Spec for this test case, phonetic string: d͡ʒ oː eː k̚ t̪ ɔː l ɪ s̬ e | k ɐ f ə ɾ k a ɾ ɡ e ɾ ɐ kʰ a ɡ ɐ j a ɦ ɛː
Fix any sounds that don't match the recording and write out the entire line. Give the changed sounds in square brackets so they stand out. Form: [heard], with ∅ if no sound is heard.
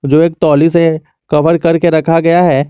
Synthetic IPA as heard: d͡ʒ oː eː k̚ t̪ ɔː l [i] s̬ e | k ɐ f ə ɾ k [ɐ] ɾ [k] e ɾ ɐ kʰ a ɡ ɐ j a ɦ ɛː